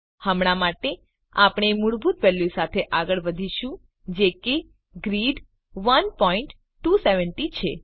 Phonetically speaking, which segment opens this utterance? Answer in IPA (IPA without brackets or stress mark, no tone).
h